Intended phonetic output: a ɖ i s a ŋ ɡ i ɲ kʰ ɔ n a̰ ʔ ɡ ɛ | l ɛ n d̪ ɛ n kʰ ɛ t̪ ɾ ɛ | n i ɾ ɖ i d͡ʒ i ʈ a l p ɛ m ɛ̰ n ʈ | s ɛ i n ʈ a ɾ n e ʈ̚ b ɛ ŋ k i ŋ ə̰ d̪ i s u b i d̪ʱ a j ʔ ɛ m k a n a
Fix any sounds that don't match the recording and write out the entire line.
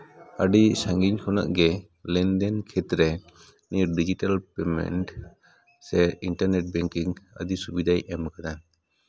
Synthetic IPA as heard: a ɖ i s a ŋ ɡ i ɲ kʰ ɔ n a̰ ʔ ɡ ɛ | l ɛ n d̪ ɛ n kʰ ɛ t̪ ɾ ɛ | n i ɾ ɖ i d͡ʒ i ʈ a l p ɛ m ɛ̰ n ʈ | s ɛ i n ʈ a ɾ n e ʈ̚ b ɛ ŋ k i ŋ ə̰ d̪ i s u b i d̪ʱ a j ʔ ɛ m k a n a